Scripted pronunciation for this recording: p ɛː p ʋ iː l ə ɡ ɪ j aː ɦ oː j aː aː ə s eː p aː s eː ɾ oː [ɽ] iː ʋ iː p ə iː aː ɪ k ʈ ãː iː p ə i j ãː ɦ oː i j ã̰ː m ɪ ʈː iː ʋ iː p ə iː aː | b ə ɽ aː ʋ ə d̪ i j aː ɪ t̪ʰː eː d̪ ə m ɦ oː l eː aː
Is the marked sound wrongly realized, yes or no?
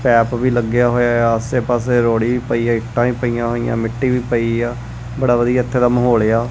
no